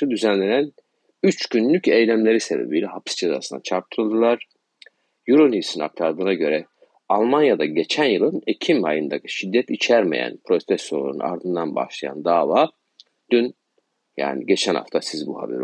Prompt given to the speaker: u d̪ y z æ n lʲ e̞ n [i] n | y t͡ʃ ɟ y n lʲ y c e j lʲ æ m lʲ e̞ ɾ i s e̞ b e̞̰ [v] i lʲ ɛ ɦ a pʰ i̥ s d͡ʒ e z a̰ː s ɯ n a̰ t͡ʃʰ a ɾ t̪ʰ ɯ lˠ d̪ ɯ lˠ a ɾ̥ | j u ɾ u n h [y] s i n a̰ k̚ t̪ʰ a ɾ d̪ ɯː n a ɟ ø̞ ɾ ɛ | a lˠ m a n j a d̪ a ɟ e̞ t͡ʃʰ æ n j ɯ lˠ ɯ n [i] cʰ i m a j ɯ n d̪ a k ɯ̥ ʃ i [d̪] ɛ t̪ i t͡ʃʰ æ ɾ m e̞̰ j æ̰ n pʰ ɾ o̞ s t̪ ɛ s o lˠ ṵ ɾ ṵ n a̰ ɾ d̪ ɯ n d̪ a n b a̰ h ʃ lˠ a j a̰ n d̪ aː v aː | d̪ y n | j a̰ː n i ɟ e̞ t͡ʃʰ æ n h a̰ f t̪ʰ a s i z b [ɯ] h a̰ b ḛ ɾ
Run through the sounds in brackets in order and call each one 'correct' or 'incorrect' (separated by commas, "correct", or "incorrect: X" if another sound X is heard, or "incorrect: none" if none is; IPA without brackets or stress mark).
incorrect: æ, incorrect: b, incorrect: i, incorrect: e, incorrect: d̪ː, incorrect: u